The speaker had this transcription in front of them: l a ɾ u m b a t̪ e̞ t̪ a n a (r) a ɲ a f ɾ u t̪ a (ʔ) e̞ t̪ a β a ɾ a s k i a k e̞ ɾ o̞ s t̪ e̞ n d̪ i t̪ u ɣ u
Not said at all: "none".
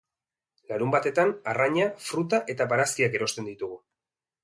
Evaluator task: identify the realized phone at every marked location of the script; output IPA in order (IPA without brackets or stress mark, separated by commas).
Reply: r, ʔ